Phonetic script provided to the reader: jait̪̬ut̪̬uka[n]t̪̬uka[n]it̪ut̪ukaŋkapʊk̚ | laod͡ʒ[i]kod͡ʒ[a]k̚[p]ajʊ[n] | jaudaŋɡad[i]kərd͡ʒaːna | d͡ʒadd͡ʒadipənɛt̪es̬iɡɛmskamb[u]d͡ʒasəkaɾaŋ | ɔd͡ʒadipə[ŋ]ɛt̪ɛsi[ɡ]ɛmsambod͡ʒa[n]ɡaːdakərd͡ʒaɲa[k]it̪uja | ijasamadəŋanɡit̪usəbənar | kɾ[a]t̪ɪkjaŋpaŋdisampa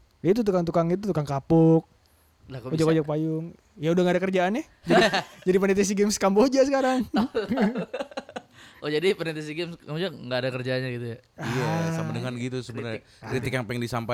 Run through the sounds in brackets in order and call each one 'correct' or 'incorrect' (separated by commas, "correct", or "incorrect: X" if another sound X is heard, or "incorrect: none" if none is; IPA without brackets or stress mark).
incorrect: ŋ, incorrect: ŋ, incorrect: a, correct, correct, incorrect: ŋ, incorrect: a, incorrect: o, incorrect: n, correct, incorrect: ŋ, incorrect: ɡ, incorrect: i